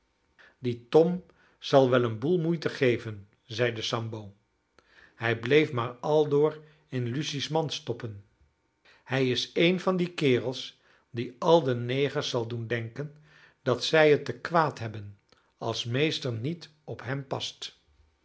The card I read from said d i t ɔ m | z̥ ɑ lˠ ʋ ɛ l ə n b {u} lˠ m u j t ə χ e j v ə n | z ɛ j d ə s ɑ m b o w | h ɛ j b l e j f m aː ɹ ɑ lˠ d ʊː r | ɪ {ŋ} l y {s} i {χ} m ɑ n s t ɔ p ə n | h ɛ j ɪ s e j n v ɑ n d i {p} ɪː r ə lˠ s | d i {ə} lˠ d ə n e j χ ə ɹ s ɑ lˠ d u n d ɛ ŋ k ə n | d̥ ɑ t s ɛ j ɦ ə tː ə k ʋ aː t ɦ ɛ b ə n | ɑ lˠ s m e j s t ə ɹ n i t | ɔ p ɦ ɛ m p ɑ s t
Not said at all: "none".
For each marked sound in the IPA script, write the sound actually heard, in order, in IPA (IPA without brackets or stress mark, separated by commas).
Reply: u, n, s, s, k, ɑ